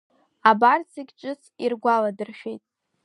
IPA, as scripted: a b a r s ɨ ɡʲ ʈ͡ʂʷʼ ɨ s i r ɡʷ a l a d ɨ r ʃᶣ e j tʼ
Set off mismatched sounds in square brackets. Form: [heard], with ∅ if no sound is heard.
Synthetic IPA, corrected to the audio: a b a r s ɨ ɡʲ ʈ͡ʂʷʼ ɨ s i r ɡʷ a l a d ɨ r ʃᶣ e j tʼ